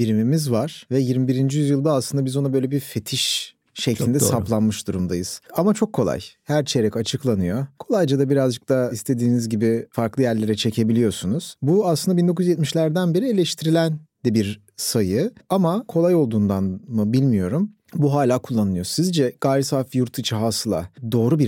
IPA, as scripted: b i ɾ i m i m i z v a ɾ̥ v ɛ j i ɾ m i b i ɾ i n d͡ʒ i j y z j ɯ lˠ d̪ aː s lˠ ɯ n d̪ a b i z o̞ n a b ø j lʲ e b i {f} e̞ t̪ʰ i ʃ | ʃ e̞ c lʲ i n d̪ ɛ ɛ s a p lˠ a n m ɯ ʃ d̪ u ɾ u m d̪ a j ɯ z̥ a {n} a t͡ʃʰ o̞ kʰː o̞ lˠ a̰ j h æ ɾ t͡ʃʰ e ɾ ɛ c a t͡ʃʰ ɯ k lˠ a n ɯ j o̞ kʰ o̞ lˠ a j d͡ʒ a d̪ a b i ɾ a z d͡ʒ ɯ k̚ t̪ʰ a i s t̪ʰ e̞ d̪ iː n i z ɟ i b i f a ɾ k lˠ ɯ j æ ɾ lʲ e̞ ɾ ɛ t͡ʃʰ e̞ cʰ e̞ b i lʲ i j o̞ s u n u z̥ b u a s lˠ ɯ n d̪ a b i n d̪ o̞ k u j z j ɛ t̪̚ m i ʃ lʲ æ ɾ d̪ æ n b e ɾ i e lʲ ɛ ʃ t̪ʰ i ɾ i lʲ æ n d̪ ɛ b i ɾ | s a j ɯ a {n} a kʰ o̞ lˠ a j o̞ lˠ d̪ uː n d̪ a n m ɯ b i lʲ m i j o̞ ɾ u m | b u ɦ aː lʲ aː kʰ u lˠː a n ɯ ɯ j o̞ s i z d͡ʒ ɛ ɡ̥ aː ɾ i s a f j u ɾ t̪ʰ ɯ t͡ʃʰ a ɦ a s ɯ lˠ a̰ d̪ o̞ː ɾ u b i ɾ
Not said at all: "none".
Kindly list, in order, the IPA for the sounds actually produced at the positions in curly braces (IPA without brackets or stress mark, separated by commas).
f, m, m